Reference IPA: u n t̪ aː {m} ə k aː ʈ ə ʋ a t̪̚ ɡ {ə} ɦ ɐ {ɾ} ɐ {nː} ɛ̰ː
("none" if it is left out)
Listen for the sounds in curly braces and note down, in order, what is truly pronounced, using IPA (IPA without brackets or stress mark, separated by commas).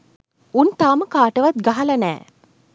m, a, l, n